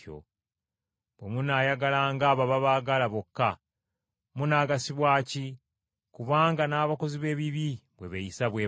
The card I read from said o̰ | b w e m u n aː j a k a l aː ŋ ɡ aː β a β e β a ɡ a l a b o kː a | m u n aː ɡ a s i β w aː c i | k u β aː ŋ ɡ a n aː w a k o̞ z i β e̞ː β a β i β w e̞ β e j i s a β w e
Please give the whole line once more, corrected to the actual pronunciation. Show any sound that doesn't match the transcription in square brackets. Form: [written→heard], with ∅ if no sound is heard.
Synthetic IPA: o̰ | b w e m u n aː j a [k→ɡ] a l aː ŋ ɡ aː β a β [e→a] β a ɡ a l a [b→β] o kː a | m u n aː ɡ a s i β w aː c i | k u β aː ŋ ɡ a n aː [w→β] a k o̞ z i β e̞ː β [a→i] β i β w e̞ β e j i s a β w e